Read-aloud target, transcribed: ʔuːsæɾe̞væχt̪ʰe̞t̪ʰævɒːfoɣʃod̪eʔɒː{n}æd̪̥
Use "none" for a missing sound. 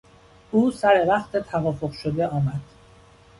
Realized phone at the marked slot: m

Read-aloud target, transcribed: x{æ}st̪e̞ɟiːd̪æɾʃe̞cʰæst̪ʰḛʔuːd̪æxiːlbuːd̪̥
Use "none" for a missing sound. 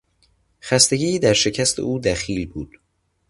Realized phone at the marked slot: æ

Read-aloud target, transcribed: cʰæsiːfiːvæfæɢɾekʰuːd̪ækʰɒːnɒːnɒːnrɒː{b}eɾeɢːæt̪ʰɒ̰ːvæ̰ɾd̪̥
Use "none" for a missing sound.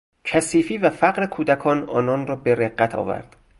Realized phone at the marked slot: b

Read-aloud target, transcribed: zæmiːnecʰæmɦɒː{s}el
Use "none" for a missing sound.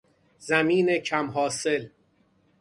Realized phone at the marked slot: s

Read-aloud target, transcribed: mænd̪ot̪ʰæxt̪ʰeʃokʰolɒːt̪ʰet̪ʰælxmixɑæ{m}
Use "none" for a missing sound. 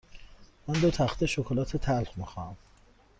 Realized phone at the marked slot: m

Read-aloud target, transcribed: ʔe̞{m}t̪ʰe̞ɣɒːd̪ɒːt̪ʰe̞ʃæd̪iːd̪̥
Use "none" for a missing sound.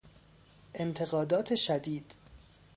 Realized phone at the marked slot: n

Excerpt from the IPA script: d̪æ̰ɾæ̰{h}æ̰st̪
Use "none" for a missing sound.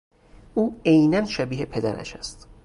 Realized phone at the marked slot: ʃ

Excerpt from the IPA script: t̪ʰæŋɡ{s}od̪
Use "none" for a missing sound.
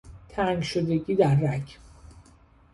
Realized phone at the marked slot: ʃ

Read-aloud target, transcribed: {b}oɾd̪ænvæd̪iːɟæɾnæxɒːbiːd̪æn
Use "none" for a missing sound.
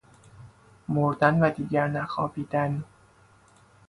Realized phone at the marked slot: m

